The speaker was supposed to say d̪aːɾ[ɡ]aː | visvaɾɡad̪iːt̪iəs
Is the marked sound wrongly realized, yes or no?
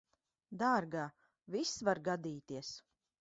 no